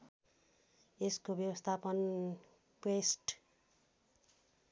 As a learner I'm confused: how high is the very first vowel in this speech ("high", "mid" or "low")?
mid